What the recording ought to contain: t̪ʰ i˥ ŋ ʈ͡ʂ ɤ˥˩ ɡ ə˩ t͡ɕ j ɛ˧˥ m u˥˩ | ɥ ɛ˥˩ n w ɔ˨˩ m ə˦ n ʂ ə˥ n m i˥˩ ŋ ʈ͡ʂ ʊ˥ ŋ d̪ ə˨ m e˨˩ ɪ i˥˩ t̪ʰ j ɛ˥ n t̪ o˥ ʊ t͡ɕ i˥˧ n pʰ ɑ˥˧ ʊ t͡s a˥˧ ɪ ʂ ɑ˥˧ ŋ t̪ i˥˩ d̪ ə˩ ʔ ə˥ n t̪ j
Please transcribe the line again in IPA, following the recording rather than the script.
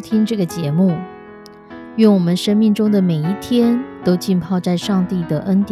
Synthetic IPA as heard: t̪ʰ i˥ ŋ ʈ͡ʂ ɤ˥˩ ɡ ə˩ t͡ɕ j ɛ˧˥ m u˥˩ | ɥ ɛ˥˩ n w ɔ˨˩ m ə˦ n ʂ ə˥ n m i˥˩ ŋ ʈ͡ʂ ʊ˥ ŋ d̪ ə˨ m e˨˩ ɪ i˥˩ t̪ʰ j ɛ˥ n t̪ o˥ ʊ t͡ɕ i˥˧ n pʰ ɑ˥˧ ʊ t͡s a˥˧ ɪ ʂ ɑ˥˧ ŋ t̪ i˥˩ d̪ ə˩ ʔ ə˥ n t̪ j